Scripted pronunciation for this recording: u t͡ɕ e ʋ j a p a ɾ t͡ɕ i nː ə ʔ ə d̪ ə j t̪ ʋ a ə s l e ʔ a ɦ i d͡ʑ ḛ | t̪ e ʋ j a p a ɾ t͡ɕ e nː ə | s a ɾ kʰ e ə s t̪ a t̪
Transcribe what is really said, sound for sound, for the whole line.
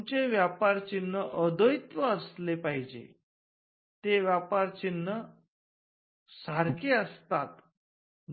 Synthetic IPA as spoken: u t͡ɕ e ʋ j a p a ɾ t͡ɕ i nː ə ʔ ə d̪ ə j t̪ ʋ ə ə s l e p a ɦ i d͡ʑ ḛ | t̪ e ʋ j a p a ɾ t͡ɕ i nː ə | s a ɾ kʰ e ə s t̪ a t̪